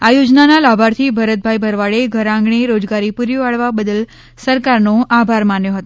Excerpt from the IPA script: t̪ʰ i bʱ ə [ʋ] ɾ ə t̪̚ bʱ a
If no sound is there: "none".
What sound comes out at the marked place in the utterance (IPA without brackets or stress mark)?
none